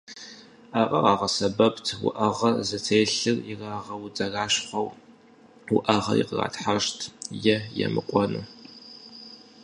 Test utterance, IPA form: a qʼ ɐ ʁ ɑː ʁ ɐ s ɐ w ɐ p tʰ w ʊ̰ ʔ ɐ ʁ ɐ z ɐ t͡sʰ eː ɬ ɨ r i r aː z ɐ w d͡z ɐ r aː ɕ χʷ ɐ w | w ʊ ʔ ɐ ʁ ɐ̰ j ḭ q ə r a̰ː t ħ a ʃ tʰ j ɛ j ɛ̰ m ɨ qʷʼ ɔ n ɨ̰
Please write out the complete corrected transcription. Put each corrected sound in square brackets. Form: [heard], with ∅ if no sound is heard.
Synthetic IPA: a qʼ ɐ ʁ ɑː ʁ ɐ s ɐ [b] ɐ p tʰ w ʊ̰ ʔ ɐ ʁ ɐ z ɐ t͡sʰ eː ɬ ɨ r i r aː [ʁ] ɐ w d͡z ɐ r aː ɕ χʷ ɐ w | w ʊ ʔ ɐ ʁ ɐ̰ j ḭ q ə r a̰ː t ħ a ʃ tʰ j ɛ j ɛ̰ m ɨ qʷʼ ɔ n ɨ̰